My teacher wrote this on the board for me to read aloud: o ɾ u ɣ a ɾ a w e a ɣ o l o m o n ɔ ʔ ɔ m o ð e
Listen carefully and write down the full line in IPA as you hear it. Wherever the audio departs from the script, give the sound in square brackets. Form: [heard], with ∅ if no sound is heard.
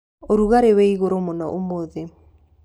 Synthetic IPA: o ɾ u ɣ a ɾ [e] w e [i] ɣ o [ɾ] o m o n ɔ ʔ [o] m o ð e